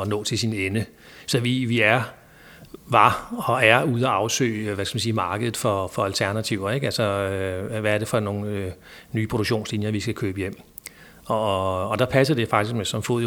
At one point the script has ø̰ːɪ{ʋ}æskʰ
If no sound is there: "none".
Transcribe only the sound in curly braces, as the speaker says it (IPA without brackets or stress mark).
ʋ